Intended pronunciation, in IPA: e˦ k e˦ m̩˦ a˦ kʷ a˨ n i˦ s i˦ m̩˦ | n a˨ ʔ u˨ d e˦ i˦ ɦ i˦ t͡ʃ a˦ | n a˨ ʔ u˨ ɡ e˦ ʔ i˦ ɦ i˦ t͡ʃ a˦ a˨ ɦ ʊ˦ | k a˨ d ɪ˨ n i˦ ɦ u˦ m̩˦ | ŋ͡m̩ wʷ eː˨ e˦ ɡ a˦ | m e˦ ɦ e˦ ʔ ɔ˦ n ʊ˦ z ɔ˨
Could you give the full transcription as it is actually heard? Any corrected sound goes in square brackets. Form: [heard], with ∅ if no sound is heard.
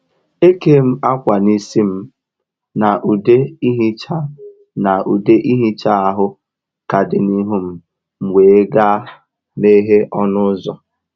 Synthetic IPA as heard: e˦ k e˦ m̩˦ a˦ kʷ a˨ n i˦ s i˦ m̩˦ | n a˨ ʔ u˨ d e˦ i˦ ɦ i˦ t͡ʃ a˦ | n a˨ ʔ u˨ [d] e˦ ʔ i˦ ɦ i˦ t͡ʃ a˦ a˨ ɦ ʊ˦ | k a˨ d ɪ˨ n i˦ ɦ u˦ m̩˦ | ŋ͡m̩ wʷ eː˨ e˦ ɡ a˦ | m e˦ ɦ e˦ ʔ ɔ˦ n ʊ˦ z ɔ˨